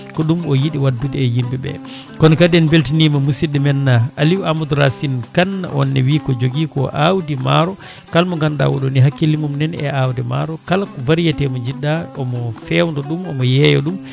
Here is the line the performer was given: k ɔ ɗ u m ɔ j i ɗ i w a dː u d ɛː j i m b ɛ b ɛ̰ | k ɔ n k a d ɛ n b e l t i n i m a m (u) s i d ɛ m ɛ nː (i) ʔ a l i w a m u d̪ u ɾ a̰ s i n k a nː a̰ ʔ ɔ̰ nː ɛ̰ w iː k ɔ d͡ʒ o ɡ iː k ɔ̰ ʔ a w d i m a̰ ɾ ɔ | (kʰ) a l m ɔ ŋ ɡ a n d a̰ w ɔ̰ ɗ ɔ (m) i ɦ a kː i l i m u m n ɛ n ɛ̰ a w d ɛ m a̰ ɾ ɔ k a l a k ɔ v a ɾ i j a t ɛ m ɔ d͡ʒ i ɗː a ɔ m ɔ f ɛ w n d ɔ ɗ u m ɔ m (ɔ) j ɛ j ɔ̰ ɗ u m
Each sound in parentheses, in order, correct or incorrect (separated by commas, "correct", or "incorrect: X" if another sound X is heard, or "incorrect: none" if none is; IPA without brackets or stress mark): correct, incorrect: a, incorrect: k, incorrect: n, correct